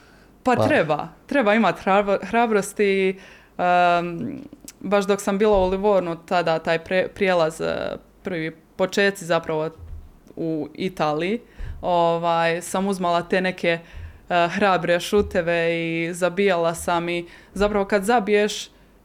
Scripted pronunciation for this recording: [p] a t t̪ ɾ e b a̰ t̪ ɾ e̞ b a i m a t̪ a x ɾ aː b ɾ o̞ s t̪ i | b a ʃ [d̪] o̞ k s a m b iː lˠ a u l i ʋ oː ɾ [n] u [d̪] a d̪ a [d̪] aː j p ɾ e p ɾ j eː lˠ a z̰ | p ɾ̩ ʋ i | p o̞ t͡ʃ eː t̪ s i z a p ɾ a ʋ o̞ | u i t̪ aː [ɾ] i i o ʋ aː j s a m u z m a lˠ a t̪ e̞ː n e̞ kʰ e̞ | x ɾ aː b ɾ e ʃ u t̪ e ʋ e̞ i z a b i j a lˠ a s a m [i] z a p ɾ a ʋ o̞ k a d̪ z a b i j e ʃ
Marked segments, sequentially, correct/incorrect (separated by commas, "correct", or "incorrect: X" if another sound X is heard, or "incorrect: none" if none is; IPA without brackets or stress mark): correct, correct, correct, incorrect: t̪, incorrect: t̪, incorrect: l, correct